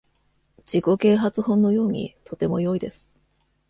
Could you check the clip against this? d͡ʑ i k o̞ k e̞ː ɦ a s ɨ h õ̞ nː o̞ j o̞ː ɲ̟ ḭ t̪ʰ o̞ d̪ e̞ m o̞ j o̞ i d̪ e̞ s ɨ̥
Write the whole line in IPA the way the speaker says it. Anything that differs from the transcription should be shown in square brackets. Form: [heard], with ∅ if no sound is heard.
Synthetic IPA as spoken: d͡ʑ i k o̞ k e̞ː ɦ a [t͡s] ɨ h õ̞ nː o̞ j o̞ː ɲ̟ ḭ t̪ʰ o̞ [t̪] e̞ m o̞ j o̞ i d̪ e̞ s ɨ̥